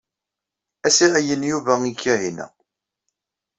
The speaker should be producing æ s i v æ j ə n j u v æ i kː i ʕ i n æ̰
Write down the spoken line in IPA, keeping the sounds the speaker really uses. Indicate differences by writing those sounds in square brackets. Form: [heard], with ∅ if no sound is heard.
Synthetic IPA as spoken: æ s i [ʁ] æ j ə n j u v æ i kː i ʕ i n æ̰